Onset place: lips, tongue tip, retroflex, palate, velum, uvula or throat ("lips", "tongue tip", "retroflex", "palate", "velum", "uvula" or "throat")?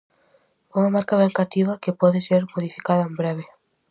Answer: velum